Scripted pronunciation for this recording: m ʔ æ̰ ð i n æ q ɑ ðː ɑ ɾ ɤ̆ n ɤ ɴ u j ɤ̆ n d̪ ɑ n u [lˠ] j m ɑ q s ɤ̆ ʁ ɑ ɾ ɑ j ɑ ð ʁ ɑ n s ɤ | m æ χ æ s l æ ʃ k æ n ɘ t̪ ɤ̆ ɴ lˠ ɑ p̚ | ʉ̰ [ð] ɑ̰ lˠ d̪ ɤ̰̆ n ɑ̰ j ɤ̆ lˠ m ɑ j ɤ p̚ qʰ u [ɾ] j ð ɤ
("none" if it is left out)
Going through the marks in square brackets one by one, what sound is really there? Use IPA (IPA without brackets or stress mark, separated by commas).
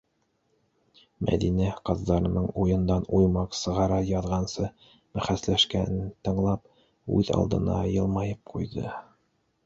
none, ð, none